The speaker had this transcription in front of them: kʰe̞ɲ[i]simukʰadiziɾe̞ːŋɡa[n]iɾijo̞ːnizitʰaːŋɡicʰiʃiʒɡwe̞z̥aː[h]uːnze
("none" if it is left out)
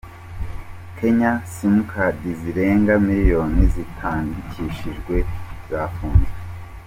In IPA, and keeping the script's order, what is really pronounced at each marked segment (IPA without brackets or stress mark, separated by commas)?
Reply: a, m, f